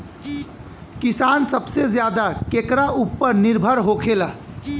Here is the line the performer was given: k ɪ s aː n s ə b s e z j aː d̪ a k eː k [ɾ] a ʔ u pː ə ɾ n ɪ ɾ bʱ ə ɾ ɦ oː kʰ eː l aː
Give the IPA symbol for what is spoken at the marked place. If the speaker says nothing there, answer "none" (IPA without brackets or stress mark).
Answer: ɾ